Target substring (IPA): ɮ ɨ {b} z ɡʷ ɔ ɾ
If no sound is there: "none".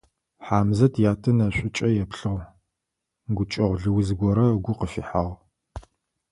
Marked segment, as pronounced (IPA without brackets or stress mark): w